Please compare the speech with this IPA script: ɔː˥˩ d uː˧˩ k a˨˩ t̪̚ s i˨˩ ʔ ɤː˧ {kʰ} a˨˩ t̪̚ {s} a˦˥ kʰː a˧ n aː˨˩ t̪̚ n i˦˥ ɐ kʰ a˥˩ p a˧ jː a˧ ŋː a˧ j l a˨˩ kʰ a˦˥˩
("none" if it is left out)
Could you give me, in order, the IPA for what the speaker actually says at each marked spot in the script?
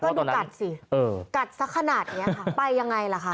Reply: k, s

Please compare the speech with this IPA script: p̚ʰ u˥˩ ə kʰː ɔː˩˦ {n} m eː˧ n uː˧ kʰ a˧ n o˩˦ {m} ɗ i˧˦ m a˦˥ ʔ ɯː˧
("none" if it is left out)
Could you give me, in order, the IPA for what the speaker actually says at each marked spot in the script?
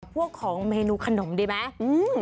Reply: ŋ, m

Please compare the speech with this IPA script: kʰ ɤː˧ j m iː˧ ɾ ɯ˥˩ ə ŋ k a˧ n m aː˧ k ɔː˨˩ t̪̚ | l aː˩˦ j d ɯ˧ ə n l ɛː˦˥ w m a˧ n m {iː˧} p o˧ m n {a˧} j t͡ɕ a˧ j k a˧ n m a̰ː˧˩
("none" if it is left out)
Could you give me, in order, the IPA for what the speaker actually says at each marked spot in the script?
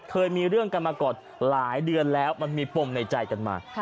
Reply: iː˧, a˧

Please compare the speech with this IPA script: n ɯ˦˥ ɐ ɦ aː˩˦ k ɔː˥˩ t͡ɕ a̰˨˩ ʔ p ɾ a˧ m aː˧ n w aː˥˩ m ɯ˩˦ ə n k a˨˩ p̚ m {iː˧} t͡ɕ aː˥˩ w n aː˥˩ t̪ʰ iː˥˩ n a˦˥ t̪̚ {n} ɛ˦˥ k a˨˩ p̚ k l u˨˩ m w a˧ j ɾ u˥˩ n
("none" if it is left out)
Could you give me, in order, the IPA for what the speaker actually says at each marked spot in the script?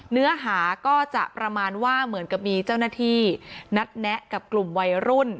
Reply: iː˧, n

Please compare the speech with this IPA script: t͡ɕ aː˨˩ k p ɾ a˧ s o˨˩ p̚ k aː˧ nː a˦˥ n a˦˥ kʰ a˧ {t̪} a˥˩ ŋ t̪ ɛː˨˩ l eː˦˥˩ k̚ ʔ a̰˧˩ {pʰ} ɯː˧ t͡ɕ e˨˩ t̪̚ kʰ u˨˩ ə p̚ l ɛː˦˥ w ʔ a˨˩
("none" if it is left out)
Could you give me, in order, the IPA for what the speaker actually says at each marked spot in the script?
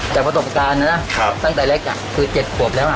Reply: t̪, kʰ

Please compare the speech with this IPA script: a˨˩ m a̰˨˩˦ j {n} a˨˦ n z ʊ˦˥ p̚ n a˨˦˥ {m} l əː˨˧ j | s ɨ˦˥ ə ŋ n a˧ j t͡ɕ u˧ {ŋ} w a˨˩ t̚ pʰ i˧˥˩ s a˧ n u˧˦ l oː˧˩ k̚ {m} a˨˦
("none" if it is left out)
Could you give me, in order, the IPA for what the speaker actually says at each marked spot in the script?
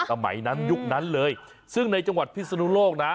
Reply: n, n, ŋ, n

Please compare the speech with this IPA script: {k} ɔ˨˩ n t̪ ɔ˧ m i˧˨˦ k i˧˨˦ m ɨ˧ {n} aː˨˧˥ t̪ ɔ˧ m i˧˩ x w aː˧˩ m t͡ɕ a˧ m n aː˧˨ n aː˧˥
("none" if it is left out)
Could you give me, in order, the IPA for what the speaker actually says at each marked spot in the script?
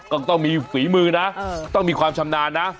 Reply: k, n

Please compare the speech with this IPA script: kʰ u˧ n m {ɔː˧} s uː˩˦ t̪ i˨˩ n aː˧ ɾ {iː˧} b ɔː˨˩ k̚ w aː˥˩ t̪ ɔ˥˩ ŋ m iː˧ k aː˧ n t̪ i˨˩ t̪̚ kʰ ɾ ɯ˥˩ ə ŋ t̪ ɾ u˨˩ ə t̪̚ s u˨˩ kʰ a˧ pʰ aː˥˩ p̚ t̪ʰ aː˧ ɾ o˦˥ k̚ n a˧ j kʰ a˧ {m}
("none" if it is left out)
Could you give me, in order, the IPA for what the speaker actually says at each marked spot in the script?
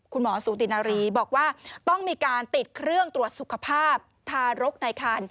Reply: ɔː˩˦, iː˧, n

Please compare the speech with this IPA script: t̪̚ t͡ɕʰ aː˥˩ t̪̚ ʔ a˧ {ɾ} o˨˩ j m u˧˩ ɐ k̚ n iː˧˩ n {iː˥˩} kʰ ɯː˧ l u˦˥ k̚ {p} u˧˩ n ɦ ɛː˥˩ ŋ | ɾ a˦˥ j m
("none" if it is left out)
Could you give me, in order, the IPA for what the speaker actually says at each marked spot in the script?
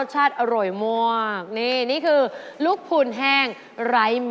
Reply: ɾ, iː˥˩, pʰ

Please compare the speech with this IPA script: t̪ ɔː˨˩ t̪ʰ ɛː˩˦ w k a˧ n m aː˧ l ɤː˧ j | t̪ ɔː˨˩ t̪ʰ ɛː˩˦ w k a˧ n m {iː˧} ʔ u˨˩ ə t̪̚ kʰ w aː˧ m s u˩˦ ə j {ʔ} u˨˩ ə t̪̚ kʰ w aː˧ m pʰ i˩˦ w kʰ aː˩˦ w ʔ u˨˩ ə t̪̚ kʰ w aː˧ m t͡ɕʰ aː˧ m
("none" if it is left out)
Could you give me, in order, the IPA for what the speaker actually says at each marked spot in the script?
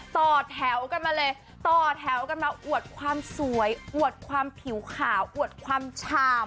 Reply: aː˧, ʔ

